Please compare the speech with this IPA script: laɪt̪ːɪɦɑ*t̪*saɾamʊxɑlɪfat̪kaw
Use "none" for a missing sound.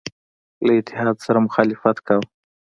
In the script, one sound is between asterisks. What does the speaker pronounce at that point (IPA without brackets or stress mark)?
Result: d̪